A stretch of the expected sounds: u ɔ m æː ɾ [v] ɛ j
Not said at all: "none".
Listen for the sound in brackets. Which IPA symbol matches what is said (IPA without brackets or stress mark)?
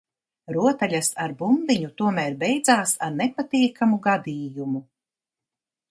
b